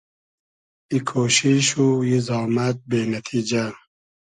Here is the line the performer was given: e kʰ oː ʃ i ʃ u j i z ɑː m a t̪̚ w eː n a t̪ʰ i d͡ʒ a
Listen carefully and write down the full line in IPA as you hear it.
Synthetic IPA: i kʰ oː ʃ i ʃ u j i z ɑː m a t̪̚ b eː n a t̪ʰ i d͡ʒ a